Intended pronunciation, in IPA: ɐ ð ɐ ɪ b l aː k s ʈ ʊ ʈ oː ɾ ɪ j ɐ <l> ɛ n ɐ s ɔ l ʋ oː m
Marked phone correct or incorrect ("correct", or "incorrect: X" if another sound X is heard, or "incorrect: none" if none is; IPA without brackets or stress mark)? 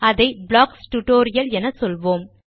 correct